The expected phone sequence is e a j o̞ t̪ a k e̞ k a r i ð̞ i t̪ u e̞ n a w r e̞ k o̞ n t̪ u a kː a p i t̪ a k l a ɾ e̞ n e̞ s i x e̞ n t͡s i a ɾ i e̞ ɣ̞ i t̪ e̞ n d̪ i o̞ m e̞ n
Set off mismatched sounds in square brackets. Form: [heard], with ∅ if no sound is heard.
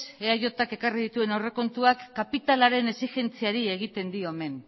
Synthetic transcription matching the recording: e a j o̞ t̪ a k e̞ k a r i ð̞ i t̪ u e̞ n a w r e̞ k o̞ n t̪ u a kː a p i t̪ a [∅] l a ɾ e̞ n e̞ s i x e̞ n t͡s i a ɾ i e̞ ɣ̞ i t̪ e̞ n d̪ i o̞ m e̞ n